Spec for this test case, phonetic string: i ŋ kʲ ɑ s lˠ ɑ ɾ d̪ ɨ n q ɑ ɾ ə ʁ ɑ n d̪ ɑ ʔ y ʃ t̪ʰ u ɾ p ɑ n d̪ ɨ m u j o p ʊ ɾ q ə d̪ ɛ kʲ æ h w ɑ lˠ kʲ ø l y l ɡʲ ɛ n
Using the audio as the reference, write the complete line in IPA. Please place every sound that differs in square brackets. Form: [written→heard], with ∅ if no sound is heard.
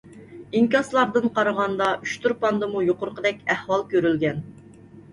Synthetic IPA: i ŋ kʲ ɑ s lˠ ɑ ɾ d̪ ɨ n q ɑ ɾ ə ʁ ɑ n d̪ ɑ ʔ y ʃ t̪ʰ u ɾ p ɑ n d̪ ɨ m u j o [p→q] ʊ ɾ q ə d̪ ɛ kʲ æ h w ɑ lˠ kʲ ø [l→ɾ] y l ɡʲ ɛ n